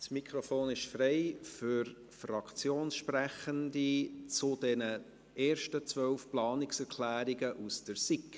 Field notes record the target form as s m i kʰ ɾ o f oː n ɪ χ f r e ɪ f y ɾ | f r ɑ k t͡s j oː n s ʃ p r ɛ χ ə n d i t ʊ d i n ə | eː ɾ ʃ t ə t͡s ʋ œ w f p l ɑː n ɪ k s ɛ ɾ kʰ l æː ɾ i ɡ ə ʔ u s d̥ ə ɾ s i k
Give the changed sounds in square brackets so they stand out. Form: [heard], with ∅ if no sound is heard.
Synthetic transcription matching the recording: s m i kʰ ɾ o f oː n ɪ [ʃ] f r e ɪ f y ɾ | f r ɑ k t͡s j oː n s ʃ p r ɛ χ ə n d i [t͡s] ʊ d [ɛ] n ə | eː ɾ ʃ t ə t͡s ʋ œ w f p l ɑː n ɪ k s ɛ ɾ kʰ l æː ɾ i ɡ ə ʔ u s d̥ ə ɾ s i k